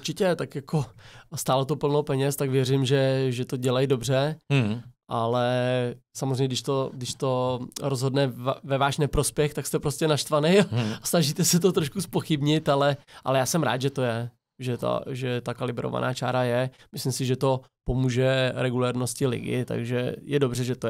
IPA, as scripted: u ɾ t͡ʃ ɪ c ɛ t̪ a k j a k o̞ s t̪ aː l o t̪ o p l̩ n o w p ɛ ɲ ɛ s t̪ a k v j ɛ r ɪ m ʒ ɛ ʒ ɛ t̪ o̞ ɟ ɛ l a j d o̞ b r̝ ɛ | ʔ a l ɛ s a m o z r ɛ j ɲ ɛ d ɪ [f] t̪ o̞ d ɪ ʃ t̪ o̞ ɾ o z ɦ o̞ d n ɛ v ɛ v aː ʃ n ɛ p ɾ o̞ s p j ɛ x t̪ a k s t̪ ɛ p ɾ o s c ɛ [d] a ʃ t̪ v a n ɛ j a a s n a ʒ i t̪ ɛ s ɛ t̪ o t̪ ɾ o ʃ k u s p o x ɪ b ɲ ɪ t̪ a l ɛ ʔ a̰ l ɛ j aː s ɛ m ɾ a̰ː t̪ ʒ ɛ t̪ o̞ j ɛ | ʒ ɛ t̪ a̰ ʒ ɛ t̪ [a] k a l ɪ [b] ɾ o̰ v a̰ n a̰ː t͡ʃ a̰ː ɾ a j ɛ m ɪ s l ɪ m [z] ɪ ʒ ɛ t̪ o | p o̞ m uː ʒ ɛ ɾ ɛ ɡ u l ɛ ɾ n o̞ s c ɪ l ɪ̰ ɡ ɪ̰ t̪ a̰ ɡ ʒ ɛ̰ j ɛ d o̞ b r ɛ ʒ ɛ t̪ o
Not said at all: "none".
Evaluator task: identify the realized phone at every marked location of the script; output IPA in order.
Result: ʃ, n, a, b, s

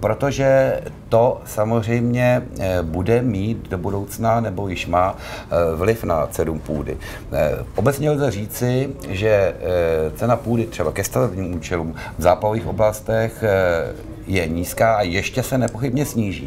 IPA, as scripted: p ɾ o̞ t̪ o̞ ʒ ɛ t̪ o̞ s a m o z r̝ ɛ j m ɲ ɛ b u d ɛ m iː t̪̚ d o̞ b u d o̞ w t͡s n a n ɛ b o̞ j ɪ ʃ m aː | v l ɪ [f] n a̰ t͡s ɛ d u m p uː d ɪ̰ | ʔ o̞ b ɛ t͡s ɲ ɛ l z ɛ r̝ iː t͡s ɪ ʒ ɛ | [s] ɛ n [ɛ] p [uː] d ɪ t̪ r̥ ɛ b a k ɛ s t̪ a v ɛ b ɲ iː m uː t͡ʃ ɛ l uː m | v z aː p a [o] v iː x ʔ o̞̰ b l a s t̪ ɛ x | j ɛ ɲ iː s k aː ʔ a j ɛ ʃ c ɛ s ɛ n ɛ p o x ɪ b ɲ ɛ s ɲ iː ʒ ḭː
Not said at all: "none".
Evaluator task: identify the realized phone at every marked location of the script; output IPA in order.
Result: f, t͡s, a, uː, o

